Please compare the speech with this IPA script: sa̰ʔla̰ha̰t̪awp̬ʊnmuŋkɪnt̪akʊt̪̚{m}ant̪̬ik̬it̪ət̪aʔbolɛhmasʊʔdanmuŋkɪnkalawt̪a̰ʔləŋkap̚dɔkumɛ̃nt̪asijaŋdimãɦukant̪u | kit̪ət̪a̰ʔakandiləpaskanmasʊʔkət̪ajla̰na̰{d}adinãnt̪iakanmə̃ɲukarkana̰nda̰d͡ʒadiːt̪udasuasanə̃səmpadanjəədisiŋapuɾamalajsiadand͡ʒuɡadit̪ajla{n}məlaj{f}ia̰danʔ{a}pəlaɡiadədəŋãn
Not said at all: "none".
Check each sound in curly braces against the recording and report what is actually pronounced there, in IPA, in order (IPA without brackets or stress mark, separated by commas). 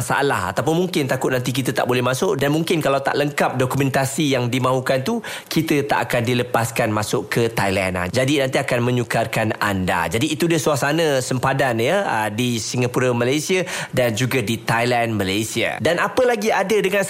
n, d͡ʒ, n, s, a